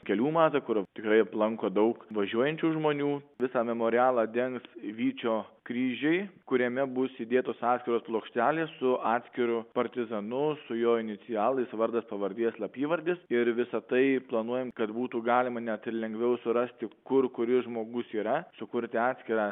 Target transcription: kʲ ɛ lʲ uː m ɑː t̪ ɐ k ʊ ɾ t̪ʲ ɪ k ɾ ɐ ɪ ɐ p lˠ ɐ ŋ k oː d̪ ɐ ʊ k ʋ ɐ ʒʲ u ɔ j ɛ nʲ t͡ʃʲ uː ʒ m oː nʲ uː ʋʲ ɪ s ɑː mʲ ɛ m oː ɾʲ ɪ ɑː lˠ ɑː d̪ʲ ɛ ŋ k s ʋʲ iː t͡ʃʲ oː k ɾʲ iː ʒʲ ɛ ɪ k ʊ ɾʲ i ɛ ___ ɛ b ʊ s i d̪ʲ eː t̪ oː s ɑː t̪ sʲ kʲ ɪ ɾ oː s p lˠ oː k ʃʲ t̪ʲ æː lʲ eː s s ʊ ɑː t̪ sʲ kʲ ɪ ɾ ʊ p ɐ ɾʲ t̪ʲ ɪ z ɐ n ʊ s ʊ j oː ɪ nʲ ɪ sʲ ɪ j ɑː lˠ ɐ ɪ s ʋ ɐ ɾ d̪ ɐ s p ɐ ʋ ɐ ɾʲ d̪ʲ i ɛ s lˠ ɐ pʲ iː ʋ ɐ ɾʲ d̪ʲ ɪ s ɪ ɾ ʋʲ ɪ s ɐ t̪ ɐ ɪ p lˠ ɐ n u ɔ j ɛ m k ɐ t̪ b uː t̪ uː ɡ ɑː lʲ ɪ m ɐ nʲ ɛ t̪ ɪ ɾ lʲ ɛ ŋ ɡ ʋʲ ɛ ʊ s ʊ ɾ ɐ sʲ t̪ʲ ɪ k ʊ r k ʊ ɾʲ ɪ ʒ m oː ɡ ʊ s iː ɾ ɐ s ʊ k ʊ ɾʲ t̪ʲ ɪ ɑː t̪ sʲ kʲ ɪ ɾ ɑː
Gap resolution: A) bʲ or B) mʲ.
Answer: B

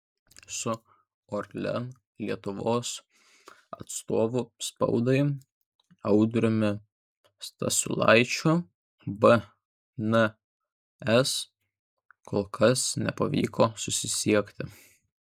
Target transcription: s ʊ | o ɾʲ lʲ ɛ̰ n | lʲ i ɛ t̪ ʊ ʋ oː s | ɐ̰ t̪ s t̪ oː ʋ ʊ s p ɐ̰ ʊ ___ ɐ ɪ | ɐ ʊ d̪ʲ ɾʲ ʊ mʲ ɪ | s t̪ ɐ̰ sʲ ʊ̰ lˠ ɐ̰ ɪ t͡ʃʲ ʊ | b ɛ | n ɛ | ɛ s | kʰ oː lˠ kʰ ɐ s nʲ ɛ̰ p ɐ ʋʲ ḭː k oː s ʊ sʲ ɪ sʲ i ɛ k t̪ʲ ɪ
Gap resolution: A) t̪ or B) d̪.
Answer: B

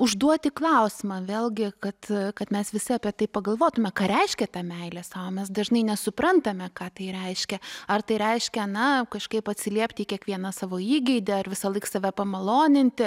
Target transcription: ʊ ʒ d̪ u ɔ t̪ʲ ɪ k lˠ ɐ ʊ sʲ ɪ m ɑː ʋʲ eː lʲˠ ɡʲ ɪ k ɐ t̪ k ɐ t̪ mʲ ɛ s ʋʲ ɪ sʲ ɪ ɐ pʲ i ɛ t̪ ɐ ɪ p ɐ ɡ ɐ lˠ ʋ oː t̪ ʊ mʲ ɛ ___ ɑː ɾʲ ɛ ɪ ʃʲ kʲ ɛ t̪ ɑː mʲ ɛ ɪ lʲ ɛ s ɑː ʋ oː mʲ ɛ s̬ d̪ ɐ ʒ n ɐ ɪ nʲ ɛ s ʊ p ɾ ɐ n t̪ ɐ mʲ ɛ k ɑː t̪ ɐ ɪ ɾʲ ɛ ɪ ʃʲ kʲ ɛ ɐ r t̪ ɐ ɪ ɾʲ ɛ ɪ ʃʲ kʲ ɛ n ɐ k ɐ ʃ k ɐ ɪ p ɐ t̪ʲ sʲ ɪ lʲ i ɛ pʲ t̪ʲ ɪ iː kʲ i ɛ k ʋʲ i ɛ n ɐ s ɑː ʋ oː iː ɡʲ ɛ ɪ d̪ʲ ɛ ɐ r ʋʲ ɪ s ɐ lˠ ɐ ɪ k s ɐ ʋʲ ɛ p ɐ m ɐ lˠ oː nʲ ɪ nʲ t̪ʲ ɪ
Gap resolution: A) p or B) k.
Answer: B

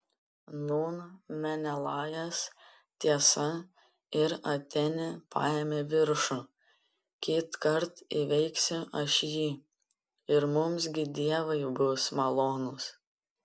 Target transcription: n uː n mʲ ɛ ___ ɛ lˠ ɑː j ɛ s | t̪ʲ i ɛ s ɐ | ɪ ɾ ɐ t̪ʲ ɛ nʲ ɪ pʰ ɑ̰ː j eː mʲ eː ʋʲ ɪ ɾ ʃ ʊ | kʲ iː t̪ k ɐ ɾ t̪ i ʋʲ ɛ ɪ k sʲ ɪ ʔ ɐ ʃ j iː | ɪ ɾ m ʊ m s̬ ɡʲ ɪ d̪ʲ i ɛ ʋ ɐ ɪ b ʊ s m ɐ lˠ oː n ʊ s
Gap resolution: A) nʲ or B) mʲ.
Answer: A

